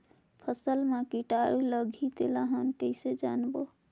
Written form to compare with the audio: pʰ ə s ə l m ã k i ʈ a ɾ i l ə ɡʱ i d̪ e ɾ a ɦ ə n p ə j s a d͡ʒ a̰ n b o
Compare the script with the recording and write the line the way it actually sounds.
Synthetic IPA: pʰ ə s ə l m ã k i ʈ a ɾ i l ə ɡʱ i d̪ e l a ɦ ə n k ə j s e d͡ʒ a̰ n b o